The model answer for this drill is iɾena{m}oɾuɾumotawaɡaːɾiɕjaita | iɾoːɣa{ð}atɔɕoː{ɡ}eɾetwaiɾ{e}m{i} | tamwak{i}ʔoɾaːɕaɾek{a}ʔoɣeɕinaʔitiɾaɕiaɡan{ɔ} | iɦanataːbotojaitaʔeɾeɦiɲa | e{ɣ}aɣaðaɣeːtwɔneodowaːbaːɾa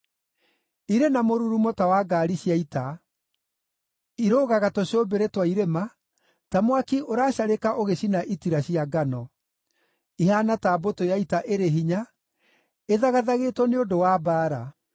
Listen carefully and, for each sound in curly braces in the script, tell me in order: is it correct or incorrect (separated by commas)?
correct, incorrect, incorrect, correct, incorrect, correct, correct, correct, incorrect